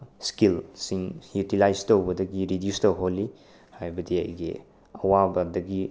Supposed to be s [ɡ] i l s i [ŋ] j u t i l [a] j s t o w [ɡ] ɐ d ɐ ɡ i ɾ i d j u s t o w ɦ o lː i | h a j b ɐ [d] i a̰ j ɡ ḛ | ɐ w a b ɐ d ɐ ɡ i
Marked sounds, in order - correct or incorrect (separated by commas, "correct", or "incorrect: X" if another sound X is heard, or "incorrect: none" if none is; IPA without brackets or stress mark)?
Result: incorrect: k, correct, correct, incorrect: b, correct